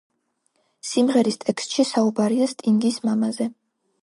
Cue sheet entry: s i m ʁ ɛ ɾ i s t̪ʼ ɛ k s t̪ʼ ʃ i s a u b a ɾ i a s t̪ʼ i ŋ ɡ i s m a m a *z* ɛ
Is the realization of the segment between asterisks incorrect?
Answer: no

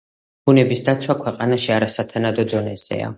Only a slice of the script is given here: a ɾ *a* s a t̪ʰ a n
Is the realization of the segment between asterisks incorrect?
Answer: no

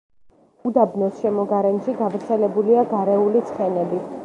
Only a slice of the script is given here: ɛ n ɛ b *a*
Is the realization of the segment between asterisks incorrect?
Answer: yes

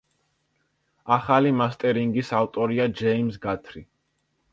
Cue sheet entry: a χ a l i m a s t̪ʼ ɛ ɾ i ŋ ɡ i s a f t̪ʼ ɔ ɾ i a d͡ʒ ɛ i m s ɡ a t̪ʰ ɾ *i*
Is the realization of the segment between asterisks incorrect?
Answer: no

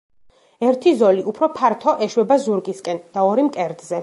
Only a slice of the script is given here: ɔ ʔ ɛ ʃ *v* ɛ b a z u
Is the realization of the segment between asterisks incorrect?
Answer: yes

